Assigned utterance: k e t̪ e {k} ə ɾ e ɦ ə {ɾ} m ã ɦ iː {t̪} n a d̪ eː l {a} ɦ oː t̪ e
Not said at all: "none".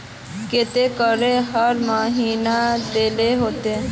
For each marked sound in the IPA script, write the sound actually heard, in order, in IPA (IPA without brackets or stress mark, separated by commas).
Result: k, ɾ, none, e